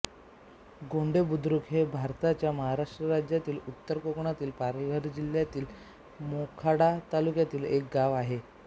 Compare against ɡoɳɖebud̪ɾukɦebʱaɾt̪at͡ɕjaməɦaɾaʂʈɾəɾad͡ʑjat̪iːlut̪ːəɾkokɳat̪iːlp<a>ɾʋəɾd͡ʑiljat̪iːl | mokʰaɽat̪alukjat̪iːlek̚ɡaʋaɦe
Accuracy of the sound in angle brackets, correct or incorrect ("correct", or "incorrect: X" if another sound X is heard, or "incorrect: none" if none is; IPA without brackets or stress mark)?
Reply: correct